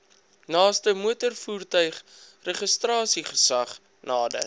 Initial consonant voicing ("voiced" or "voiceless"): voiced